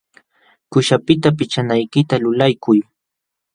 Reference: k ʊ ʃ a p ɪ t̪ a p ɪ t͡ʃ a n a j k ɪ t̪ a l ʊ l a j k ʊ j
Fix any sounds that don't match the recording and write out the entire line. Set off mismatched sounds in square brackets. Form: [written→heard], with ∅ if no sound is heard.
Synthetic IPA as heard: k ʊ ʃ a p ɪ t̪ a p ɪ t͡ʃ a n a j k ɪ t̪ a l ʊ l a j k ʊ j